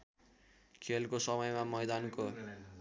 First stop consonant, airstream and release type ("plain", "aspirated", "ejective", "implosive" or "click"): aspirated